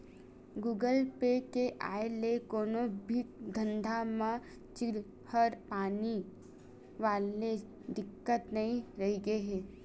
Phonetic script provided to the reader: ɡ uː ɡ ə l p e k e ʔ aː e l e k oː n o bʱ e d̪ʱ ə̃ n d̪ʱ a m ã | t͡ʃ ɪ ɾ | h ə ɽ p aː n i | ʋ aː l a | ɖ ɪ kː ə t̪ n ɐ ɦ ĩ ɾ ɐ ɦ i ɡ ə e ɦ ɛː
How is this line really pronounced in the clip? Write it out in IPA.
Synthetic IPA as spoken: ɡ uː ɡ ə l p e k e ʔ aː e l e k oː n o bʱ i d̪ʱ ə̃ n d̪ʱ a m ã | t͡ʃ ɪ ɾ | h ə ɾ p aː n i | ʋ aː l e | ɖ ɪ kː ə t̪ n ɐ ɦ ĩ ɾ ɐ ɦ i ɡ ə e ɦ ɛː